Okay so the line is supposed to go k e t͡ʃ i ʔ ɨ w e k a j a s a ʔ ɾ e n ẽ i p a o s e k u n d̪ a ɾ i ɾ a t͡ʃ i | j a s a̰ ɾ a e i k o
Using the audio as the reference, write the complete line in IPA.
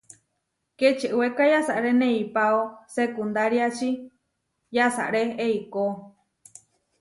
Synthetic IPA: k e t͡ʃ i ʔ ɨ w e k a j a s a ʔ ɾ e n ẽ i p a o s e k u n d̪ a ɾ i a t͡ʃ i | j a s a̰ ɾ e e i k o

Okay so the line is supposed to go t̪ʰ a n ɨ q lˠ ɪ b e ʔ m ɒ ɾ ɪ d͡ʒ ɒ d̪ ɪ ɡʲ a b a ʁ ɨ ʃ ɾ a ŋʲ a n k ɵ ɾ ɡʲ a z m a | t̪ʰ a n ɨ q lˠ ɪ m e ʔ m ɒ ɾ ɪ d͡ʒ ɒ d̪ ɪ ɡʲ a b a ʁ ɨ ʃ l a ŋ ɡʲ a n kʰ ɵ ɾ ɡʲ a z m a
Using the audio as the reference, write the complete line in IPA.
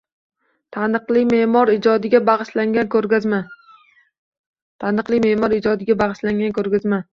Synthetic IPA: t̪ʰ a n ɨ q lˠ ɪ m e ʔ m ɒ ɾ ɪ d͡ʒ ɒ d̪ ɪ ɡʲ a b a ʁ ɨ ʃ l a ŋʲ a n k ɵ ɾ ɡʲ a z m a | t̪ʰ a n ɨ q lˠ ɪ m e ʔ m ɒ ɾ ɪ d͡ʒ ɒ d̪ ɪ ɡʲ a b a ʁ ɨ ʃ l a ŋ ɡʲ a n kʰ ɵ ɾ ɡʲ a z m a

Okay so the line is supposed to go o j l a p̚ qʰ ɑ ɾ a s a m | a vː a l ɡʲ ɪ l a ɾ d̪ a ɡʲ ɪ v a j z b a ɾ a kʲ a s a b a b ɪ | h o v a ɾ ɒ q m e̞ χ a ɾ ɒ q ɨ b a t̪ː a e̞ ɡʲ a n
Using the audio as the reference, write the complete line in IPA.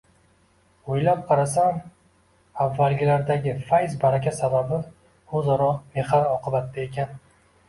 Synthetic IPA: o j l a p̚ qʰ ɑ ɾ a s a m | a vː a l ɡʲ ɪ l a ɾ d̪ a ɡʲ ɪ f a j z b a ɾ a kʲ a s a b a b ɪ | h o z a ɾ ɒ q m e̞ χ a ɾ ɒ q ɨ b a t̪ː a e̞ kʲ a n

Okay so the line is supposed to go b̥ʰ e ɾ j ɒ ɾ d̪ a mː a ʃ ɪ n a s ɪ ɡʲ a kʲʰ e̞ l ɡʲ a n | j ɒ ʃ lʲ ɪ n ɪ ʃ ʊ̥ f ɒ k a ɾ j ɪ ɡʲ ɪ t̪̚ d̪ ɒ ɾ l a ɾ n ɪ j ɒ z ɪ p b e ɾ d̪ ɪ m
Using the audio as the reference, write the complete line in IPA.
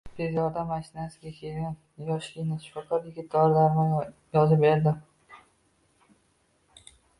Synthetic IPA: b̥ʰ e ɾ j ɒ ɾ d̪ a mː a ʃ ɪ n a s ɪ ɡʲ a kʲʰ e̞ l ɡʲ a n | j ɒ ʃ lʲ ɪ n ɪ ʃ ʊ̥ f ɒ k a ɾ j ɪ ɡʲ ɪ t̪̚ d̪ ɒ ɾ l a ɾ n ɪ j ɒ z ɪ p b e ɾ d̪ ɪ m

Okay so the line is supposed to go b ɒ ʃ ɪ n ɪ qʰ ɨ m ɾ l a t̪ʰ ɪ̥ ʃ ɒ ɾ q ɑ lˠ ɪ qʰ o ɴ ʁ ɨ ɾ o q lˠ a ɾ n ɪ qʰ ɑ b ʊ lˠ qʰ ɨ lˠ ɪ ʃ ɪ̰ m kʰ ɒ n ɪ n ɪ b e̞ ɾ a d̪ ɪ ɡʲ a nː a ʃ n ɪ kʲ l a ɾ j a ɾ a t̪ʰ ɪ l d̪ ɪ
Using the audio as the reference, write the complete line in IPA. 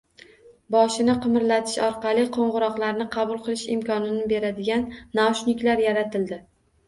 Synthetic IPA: b ɒ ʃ ɪ n ɪ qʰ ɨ m ɾ l a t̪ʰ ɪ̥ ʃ ɒ ɾ q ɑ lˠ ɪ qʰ o ɴ ʁ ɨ ɾ ɒ q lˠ a ɾ n ɪ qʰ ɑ b ʊ lˠ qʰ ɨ lˠ ɪ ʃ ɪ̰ m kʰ ɒ n ɪ n ɪ b e̞ ɾ a d̪ ɪ ɡʲ a nː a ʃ n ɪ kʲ l a ɾ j a ɾ a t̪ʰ ɪ l d̪ ɪ

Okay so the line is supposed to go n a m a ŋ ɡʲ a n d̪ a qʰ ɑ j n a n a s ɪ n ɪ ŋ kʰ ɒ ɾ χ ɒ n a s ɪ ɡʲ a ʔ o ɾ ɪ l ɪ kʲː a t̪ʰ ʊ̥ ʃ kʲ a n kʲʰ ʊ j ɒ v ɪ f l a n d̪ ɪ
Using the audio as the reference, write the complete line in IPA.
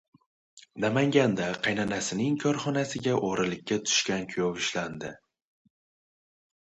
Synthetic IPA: n a m a ŋ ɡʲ a n d̪ a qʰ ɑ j n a n a s ɪ n ɪ ŋ kʰ ɒ ɾ χ ɒ n a s ɪ ɡʲ a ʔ o ɾ ɪ l ɪ kʲː a t̪ʰ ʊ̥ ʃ kʲ a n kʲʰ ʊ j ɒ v ɪ ʃ l a n d̪ ɪ

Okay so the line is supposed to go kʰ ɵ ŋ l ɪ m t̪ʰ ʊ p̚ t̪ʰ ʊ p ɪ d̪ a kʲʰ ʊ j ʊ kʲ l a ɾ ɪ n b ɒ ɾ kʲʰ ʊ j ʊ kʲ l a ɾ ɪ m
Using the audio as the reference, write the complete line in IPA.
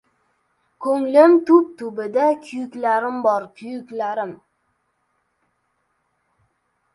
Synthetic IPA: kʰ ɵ ŋ l ɪ m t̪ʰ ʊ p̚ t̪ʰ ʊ b ɪ d̪ a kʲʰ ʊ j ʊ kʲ l a ɾ ɪ m b ɒ ɾ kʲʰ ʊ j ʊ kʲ l a ɾ ɪ m

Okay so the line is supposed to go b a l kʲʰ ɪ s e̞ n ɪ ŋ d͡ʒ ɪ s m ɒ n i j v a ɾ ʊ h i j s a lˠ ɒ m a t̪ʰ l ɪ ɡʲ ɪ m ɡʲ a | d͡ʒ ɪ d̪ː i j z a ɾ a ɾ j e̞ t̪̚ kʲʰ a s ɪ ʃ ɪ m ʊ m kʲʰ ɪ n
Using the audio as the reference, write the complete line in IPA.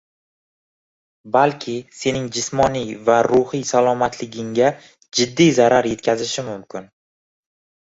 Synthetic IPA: b a l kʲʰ ɪ s e̞ n ɪ ŋ d͡ʒ ɪ s m ɒ n i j v a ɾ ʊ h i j s a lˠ ɒ m a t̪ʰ l ɪ ɡʲ ɪ ŋ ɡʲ a | d͡ʒ ɪ d̪ː i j z a ɾ a ɾ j e̞ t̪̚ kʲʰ a z ɪ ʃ ɪ m ʊ m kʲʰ ɪ n

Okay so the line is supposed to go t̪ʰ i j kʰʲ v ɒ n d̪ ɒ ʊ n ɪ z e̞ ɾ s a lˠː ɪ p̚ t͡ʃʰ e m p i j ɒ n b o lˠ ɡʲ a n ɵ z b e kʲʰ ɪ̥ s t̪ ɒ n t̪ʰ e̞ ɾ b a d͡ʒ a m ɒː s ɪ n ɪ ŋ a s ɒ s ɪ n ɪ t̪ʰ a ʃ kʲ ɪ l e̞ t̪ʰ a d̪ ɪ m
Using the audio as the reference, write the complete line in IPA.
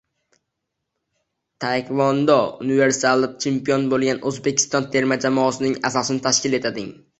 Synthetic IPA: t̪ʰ a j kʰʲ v ɒ n d̪ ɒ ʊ n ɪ v e̞ ɾ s a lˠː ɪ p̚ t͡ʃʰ e m p i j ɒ n b o lˠ ɡʲ a n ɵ z b e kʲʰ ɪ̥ s t̪ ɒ n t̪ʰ e̞ ɾ m a d͡ʒ a m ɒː s ɪ n ɪ ŋ a s ɒ s ɪ n ɪ t̪ʰ a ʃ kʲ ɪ l e̞ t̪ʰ a d̪ ɪ ŋ

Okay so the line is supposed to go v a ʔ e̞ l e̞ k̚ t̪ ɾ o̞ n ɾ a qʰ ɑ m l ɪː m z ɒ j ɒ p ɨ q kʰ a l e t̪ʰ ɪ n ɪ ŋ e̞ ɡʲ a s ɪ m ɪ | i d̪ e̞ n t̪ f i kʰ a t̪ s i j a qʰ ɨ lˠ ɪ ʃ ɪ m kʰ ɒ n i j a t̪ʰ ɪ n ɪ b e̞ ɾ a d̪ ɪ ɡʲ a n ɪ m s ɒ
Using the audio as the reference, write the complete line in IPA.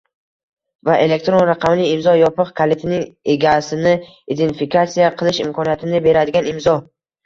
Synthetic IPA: v a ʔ e̞ l e̞ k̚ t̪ ɾ o̞ n ɾ a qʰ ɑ m l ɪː m z ɒ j ɒ p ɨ q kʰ a l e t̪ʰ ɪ n ɪ ŋ e̞ ɡʲ a s ɪ n ɪ | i d̪ e̞ n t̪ f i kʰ a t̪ s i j a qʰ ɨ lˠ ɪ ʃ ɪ m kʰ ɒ n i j a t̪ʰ ɪ n ɪ b e̞ ɾ a d̪ ɪ ɡʲ a n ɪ m z ɒ

